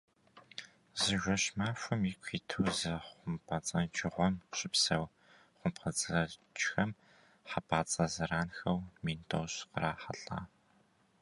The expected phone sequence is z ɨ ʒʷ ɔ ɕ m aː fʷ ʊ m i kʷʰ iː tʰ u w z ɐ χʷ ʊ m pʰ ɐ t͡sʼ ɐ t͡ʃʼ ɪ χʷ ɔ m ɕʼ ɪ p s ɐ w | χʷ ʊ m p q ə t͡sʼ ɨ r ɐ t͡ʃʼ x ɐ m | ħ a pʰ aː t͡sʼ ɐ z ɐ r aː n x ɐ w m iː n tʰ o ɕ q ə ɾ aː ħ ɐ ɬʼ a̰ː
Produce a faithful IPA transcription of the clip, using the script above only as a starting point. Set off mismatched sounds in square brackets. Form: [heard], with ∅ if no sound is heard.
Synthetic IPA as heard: z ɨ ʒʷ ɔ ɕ m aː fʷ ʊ m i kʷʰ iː tʰ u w z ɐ χʷ ʊ m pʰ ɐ t͡sʼ ɐ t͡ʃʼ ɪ [ʁʷ] ɔ m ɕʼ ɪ p s ɐ w | χʷ ʊ m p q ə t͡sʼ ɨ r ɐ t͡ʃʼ x ɐ m | ħ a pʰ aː t͡sʼ ɐ z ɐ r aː n x ɐ w m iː n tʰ o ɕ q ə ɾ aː ħ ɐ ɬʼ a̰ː